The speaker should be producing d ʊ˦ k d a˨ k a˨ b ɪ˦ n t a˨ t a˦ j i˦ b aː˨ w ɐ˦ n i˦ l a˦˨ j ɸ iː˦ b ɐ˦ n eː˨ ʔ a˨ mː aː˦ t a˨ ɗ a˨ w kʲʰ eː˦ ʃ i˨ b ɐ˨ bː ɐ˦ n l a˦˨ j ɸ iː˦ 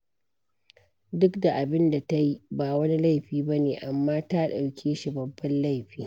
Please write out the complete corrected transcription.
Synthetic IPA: d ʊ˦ k d a˨ ʔ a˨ b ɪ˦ n d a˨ t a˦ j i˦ b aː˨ w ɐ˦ n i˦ l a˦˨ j ɸ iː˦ b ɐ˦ n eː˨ ʔ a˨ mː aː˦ t a˦ ɗ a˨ w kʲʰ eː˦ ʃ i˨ b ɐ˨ bː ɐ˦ n l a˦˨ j ɸ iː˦